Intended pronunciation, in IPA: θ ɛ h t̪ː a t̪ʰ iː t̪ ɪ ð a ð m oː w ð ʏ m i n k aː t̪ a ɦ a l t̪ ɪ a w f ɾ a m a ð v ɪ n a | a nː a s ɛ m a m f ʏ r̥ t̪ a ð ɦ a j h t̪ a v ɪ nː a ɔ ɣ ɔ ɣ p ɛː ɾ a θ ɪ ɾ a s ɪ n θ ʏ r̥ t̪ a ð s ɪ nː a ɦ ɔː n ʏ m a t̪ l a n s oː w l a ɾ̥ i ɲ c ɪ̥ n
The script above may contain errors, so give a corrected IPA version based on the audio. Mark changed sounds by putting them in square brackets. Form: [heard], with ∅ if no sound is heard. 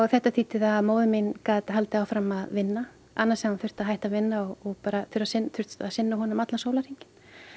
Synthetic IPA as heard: θ ɛ h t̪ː a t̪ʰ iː t̪ ɪ ð a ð m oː w ð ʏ m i n k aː t̪ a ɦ a l t̪ ɪ a w f ɾ a m a ð v ɪ [nː] a | a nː a s ɛ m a [n] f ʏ r̥ t̪ a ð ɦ a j h t̪ a v ɪ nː a ɔ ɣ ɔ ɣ p [aː] ɾ a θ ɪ ɾ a s ɪ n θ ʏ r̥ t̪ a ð s ɪ nː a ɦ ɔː n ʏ m a t̪ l a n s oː w l a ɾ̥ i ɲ c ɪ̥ n